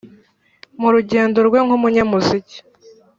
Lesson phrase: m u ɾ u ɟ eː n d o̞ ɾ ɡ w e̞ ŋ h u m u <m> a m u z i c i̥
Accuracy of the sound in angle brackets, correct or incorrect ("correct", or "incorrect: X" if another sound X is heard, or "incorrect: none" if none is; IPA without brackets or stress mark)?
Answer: incorrect: ɲ